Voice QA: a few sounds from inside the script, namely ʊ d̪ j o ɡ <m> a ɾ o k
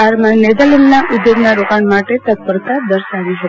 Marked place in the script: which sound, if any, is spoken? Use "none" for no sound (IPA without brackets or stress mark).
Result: n